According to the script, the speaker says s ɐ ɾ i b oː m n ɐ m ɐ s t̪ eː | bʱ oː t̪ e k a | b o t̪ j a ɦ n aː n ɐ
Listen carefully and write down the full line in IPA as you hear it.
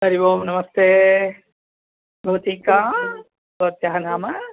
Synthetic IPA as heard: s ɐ ɾ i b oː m n ɐ m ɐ s t̪ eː | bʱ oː t̪ i k a | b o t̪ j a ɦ n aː m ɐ